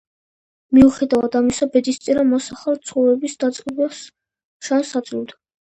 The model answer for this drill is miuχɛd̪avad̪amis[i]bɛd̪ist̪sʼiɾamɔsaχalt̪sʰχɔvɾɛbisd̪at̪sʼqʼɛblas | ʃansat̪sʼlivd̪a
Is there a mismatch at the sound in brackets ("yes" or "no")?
yes